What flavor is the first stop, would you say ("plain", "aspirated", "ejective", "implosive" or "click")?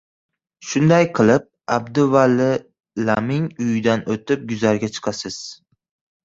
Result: plain